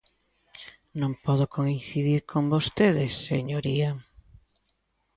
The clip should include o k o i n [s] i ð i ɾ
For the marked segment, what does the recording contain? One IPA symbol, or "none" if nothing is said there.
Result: θ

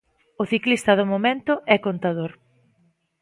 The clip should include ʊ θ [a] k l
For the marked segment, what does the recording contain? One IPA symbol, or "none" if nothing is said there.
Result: i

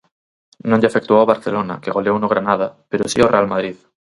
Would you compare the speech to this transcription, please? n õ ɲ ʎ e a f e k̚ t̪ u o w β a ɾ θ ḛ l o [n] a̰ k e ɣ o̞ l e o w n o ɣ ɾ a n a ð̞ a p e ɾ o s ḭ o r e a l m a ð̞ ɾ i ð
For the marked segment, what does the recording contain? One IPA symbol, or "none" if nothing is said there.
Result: n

